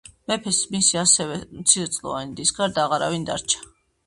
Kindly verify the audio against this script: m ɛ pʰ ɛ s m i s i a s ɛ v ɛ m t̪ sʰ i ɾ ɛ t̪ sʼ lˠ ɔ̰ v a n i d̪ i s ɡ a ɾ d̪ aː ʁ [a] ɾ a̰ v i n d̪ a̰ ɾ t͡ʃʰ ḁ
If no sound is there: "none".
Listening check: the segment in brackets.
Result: a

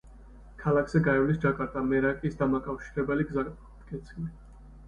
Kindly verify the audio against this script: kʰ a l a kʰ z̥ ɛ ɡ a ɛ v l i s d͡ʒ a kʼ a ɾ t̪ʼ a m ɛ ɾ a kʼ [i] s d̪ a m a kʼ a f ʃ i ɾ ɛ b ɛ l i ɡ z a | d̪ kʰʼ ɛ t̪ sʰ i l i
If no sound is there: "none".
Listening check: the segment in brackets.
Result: i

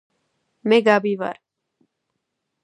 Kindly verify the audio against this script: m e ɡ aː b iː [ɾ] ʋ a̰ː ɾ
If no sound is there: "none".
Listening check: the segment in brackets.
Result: none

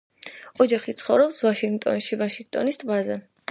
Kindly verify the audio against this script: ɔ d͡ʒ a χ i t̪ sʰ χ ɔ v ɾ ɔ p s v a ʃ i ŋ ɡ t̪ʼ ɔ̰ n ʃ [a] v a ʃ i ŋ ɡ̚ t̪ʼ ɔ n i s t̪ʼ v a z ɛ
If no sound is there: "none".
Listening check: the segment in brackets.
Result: i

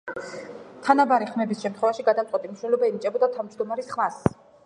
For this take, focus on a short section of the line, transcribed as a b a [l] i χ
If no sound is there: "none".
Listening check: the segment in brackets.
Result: ɾ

